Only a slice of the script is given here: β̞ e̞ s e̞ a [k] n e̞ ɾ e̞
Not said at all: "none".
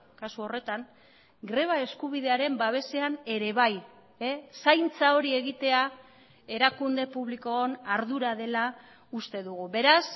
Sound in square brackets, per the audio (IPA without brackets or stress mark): none